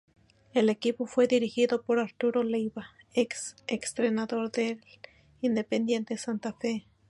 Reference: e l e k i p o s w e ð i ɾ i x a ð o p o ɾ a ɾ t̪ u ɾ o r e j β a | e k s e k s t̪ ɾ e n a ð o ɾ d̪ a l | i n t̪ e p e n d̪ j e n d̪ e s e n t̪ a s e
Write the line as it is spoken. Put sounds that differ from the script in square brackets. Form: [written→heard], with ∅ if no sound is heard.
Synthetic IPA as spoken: e l e k i p o [s→f] w e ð i ɾ i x [a→i] ð o p o ɾ a ɾ t̪ u ɾ o [r→l] e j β a | e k s e k s t̪ ɾ e n a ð o ɾ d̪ [a→e] l | i n [t̪→d̪] e p e n d̪ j e n [d̪→t̪] e s [e→a] n t̪ a [s→f] e

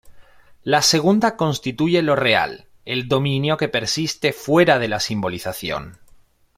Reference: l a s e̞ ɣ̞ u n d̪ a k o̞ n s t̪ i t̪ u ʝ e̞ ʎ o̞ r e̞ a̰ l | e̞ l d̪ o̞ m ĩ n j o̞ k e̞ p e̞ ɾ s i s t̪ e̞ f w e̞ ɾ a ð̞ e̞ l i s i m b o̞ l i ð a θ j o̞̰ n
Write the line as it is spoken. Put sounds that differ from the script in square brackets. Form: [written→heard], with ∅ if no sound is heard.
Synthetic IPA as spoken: l a s e̞ ɣ̞ u n d̪ a k o̞ n s t̪ i t̪ u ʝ e̞ [ʎ→l] o̞ r e̞ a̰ l | e̞ l d̪ o̞ m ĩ n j o̞ k e̞ p e̞ ɾ s i s t̪ e̞ f w e̞ ɾ a ð̞ e̞ l [i→a] s i m b o̞ l i [ð→θ] a θ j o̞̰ n

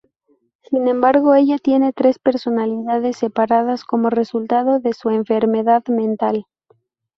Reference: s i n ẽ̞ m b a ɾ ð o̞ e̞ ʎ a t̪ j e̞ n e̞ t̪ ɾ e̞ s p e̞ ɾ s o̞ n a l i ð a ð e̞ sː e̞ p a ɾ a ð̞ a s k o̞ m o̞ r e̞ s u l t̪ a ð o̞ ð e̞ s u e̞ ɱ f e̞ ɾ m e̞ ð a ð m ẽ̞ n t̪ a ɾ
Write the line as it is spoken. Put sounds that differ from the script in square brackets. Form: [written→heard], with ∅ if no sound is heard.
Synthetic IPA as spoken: s i n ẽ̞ m b a ɾ [ð→ɣ] o̞ e̞ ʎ a t̪ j e̞ n e̞ t̪ ɾ e̞ s p e̞ ɾ s o̞ n a l i ð a ð e̞ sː e̞ p a ɾ a ð̞ a s k o̞ m o̞ r e̞ s u l t̪ a ð o̞ ð e̞ s u e̞ ɱ f e̞ ɾ m e̞ ð a ð m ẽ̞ n t̪ a [ɾ→l]

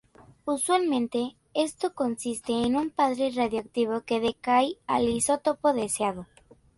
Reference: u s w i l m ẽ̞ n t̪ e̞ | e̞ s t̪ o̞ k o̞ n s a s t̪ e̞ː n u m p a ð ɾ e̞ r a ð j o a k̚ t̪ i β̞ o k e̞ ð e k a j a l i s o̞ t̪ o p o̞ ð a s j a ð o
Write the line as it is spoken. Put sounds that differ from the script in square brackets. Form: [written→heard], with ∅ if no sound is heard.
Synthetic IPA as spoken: u s w [i→a] l m ẽ̞ n t̪ e̞ | e̞ s t̪ o̞ k o̞ n s [a→i] s t̪ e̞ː n u m p a ð ɾ e̞ r a ð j o a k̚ t̪ i β̞ o k e̞ ð e k a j a l i s o̞ t̪ o p o̞ ð [a→e] s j a ð o

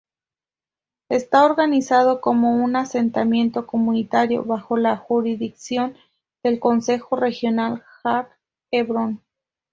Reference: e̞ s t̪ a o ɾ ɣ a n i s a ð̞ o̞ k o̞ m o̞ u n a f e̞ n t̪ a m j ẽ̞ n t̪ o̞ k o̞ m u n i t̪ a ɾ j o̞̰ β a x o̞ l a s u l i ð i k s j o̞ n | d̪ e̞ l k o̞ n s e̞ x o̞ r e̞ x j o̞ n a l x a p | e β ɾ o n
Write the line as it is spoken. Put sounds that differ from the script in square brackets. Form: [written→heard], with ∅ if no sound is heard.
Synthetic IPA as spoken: e̞ s t̪ a o ɾ ɣ a n i s a ð̞ o̞ k o̞ m o̞ u n a [f→s] e̞ n t̪ a m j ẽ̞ n t̪ o̞ k o̞ m u n i t̪ a ɾ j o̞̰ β a x o̞ l a [s→x] u [l→ɾ] i ð i k s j o̞ n | d̪ e̞ l k o̞ n s e̞ x o̞ r e̞ x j o̞ n a l x a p | e β ɾ o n

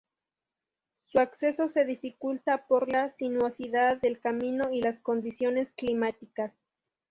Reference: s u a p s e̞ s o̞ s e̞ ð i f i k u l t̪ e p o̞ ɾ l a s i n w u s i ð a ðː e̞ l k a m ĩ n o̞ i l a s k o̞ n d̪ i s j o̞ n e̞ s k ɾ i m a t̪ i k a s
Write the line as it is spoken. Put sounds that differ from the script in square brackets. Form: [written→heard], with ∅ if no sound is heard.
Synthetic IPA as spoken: s u a [p→k] s e̞ s o̞ s e̞ ð i f i k u l t̪ [e→a] p o̞ ɾ l a s i n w [u→o] s i ð a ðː e̞ l k a m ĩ n o̞ i l a s k o̞ n d̪ i s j o̞ n e̞ s k [ɾ→l] i m a t̪ i k a s

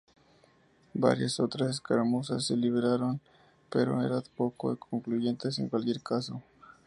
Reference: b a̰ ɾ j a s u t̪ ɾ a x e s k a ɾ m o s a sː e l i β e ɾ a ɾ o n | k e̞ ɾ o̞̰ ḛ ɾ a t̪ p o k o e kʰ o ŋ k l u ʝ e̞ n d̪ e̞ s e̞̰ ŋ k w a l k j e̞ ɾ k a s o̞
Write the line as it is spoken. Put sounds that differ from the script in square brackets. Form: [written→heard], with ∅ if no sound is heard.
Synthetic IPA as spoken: b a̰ ɾ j a s [u→o] t̪ ɾ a [x→s] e s k a ɾ m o s a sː e l i β e ɾ a ɾ o n | [k→p] e̞ ɾ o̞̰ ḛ ɾ a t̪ p o k o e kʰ o ŋ k l u ʝ e̞ n [d̪→t̪] e̞ s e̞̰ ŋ k w a l k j e̞ ɾ k a s o̞

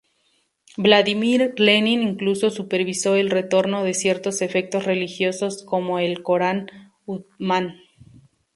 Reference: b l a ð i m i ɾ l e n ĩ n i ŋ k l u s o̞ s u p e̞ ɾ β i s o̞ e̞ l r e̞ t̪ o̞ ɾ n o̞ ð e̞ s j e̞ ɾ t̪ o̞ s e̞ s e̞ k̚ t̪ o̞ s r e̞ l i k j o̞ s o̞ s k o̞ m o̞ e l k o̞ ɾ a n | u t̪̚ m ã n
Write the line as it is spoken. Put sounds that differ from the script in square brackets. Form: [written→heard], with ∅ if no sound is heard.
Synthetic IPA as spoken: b l a ð i m i ɾ l e n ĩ n i ŋ k l u s o̞ s u p e̞ ɾ β i s o̞ e̞ l r e̞ t̪ o̞ ɾ n o̞ ð e̞ s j e̞ ɾ t̪ o̞ s e̞ [s→f] e̞ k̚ t̪ o̞ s r e̞ l i [k→x] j o̞ s o̞ s k o̞ m o̞ e l k o̞ ɾ a n | u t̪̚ m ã n

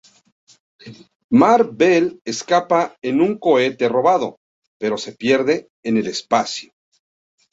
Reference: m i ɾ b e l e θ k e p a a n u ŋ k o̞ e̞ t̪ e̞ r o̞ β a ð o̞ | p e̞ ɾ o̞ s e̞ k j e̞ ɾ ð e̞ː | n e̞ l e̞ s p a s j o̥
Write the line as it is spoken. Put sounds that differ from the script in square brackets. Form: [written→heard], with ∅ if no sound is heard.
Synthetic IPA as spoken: m [i→a] ɾ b e l e [θ→s] k [e→a] p a [a→e] n u ŋ k o̞ e̞ t̪ e̞ r o̞ β a ð o̞ | p e̞ ɾ o̞ s e̞ [k→p] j e̞ ɾ ð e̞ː | n e̞ l e̞ s p a s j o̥

